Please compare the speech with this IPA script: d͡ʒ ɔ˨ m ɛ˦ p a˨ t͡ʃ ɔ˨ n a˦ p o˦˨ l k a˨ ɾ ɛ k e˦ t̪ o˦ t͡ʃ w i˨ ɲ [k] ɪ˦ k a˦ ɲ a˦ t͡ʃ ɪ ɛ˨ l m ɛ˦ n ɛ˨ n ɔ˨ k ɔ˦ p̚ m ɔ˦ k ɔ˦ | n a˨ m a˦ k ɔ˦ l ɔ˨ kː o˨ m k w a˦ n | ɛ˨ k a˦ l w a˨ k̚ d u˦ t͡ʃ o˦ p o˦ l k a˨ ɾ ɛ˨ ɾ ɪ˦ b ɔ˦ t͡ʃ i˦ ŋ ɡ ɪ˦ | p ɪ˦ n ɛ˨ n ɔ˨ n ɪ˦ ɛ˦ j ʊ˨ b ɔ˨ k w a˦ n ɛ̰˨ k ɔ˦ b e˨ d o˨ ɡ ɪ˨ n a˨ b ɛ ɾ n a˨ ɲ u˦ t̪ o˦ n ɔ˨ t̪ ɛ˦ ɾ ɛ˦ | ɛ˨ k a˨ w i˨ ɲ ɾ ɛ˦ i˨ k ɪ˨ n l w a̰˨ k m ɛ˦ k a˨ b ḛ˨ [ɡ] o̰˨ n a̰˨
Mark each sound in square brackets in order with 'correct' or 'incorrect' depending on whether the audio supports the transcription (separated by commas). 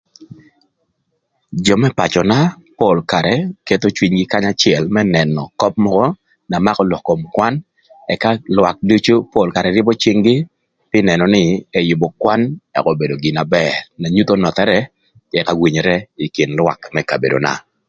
incorrect, incorrect